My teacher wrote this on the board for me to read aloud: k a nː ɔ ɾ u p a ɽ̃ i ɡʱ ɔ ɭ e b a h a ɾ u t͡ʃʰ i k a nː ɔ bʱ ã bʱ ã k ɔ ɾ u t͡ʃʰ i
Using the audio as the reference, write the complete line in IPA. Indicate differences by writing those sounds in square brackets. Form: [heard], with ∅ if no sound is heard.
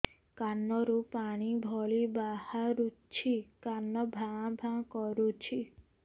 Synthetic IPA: k a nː ɔ ɾ u p a ɽ̃ i [bʱ] ɔ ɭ [i] b a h a ɾ u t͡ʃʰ i k a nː ɔ bʱ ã bʱ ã k ɔ ɾ u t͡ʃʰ i